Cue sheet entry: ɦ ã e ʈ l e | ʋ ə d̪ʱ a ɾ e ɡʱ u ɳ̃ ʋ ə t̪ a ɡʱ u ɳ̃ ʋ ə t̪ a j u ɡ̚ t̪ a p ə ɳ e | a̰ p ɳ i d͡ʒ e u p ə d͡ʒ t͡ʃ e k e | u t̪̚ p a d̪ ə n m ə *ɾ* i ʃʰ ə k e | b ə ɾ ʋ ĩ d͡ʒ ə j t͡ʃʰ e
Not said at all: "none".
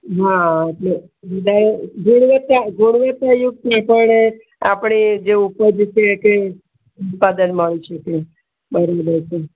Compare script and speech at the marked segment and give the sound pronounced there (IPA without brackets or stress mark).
ɭ